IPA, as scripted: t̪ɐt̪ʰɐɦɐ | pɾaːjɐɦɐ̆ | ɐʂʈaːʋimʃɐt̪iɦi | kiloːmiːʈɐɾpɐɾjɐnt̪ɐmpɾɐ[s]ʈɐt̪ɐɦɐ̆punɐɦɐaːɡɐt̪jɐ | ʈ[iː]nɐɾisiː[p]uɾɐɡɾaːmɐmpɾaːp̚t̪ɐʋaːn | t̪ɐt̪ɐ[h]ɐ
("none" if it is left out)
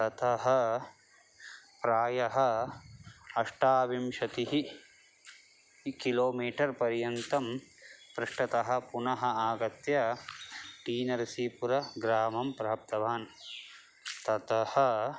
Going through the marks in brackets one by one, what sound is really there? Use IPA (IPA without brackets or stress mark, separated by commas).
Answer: ʂ, iː, p, h